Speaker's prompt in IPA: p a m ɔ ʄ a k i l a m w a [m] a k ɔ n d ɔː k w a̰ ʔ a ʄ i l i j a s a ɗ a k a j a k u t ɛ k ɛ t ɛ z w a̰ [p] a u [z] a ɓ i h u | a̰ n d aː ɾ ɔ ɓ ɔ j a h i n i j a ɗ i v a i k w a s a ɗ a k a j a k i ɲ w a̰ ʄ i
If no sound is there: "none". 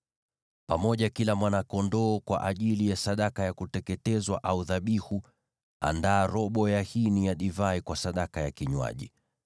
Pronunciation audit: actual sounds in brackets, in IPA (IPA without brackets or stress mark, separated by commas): n, ʔ, ð